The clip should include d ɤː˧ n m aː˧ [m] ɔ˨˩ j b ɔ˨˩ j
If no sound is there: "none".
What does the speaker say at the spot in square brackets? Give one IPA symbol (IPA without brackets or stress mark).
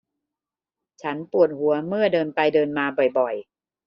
b